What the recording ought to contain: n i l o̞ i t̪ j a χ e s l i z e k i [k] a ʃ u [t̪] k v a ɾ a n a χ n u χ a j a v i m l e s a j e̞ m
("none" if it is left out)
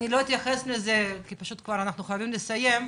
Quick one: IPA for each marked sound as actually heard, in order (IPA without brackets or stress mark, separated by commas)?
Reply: p, t̪